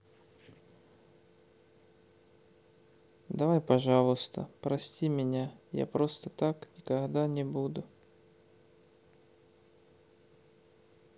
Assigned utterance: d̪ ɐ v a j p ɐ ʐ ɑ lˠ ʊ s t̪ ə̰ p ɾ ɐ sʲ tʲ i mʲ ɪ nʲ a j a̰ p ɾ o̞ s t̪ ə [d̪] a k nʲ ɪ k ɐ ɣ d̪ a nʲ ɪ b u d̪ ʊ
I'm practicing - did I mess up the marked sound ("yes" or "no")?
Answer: yes